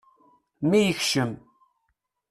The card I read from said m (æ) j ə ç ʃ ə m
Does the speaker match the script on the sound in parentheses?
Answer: no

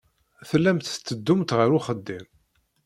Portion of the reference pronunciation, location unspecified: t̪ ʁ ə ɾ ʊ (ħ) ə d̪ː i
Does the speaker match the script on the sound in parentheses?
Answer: no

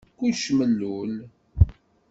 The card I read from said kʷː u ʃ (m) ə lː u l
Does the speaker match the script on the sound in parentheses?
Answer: yes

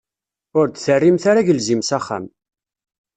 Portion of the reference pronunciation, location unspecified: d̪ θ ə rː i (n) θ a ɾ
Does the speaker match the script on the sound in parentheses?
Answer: no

